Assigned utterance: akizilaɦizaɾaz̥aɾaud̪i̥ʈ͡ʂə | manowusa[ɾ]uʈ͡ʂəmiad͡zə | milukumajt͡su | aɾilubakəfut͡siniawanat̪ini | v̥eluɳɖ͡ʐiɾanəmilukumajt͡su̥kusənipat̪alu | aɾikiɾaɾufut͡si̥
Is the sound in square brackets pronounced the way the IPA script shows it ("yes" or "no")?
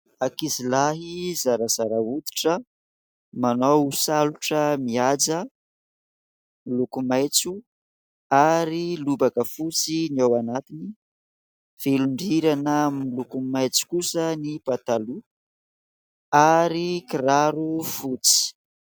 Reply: no